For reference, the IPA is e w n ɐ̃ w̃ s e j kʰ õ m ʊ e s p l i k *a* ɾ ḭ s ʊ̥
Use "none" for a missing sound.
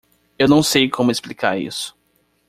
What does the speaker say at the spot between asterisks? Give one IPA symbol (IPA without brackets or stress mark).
a